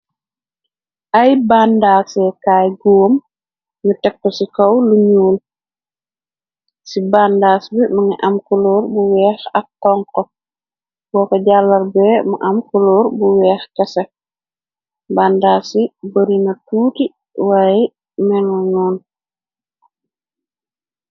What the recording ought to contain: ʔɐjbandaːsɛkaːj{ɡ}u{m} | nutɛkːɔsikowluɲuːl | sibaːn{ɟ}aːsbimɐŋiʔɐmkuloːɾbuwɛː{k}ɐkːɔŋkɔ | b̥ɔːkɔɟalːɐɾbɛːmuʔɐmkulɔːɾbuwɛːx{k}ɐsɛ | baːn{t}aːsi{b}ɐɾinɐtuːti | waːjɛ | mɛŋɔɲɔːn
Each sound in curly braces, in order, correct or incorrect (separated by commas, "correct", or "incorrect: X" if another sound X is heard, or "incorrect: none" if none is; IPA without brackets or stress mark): correct, correct, incorrect: d, incorrect: x, correct, incorrect: d, correct